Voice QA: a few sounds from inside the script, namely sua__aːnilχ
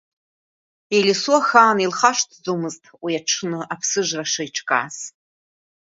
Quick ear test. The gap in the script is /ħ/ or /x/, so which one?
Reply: x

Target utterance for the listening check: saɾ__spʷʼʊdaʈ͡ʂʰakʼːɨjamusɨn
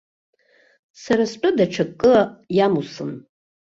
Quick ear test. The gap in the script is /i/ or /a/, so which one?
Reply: a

